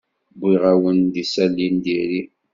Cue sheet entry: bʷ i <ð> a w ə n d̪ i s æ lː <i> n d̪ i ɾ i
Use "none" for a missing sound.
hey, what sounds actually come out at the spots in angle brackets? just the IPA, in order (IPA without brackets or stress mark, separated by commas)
ʁ, i